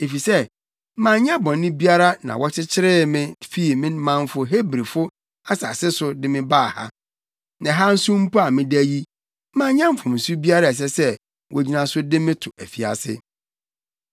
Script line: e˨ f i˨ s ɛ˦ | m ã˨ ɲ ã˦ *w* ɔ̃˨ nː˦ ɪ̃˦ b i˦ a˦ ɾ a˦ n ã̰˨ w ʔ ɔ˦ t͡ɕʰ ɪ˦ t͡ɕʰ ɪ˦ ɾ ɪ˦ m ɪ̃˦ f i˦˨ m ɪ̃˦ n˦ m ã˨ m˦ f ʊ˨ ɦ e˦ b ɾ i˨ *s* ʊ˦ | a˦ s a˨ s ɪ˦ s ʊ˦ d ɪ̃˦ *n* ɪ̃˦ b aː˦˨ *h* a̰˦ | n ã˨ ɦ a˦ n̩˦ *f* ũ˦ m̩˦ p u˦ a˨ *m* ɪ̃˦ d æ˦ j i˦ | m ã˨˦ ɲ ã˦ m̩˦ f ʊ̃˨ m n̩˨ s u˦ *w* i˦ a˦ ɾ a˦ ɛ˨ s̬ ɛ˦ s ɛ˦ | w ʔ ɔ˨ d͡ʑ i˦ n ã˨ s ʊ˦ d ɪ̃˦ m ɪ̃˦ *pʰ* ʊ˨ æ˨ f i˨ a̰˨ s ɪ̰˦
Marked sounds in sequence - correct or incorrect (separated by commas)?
incorrect, incorrect, incorrect, correct, incorrect, correct, incorrect, incorrect